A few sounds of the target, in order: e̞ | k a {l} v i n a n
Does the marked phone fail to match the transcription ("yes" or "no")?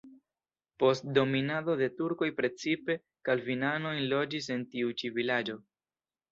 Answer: no